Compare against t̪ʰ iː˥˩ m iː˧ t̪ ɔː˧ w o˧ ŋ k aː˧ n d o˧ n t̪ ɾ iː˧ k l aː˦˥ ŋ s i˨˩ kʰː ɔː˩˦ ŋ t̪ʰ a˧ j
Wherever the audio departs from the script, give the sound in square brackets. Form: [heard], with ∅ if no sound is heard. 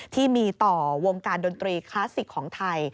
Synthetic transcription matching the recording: t̪ʰ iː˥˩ m iː˧ t̪ [ɔː˨˩] w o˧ ŋ k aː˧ n d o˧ n t̪ ɾ iː˧ [kʰ] l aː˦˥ [∅] s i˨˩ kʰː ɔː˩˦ ŋ t̪ʰ a˧ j